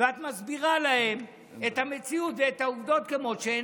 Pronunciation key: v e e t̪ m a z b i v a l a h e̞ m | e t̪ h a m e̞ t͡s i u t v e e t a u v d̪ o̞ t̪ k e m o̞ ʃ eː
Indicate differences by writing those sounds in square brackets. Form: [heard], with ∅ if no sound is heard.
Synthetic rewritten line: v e [a] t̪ m a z b i [ʁ] a l a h e̞ m | e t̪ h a m e̞ t͡s i u t v e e t a u v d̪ o̞ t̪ k e m o̞ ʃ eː